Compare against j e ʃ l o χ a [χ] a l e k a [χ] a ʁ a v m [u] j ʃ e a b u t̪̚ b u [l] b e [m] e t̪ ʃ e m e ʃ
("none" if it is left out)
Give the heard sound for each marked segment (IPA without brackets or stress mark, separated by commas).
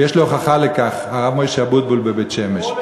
χ, χ, o, l, b